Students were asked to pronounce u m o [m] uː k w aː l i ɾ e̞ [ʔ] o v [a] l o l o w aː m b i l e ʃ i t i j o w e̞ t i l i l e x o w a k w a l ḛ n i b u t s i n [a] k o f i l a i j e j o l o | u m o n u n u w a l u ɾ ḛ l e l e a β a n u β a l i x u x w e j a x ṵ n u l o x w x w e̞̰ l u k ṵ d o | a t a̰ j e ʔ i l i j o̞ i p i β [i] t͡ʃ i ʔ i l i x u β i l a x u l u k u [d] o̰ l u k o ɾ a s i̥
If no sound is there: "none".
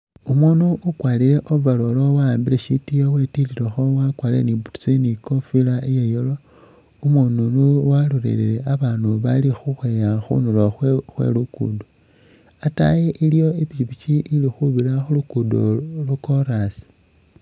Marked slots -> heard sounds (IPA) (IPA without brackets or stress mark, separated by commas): n, ʔ, a, i, i, d